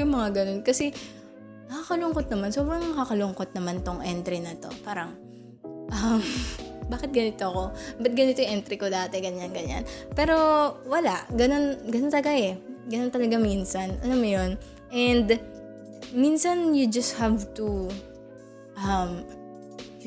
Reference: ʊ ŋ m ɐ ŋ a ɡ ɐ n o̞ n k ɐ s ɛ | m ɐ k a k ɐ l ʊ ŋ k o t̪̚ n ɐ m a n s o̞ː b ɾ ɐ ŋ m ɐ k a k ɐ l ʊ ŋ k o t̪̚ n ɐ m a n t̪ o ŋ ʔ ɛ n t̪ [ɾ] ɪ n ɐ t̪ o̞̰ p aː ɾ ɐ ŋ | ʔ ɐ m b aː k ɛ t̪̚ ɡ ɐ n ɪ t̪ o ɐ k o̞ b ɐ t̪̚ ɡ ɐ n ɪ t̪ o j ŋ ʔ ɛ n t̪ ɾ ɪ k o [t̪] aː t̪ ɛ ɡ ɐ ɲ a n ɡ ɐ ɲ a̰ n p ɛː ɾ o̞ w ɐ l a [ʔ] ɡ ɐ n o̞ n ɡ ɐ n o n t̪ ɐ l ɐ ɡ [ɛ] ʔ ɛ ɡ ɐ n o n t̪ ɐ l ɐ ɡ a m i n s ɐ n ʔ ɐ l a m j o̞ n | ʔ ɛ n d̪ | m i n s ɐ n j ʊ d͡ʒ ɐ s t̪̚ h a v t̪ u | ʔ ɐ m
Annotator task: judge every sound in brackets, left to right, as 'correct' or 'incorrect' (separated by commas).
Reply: correct, incorrect, correct, incorrect